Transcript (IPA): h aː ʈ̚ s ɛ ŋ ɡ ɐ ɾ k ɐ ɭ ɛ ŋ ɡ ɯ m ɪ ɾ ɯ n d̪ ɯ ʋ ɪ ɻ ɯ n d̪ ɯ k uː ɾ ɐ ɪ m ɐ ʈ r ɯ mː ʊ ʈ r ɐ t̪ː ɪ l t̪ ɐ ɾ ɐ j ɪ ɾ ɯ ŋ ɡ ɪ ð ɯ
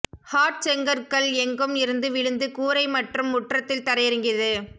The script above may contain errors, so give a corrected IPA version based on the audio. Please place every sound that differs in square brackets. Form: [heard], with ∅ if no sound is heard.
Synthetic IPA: h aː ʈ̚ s ɛ ŋ ɡ ɐ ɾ k ɐ ɭ ɛ ŋ ɡ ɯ m ɪ ɾ ɯ n d̪ ɯ ʋ ɪ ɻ ɯ n d̪ ɯ k uː ɾ ɐ ɪ m ɐ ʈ r ɯ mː ʊ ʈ r ɐ t̪ː ɪ l t̪ ɐ ɾ ɐ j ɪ ɾ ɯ ŋ ɡ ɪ ð ɯ